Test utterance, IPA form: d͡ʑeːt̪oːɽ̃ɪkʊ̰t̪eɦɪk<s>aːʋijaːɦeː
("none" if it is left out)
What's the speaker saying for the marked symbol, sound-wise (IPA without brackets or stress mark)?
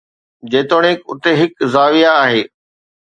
z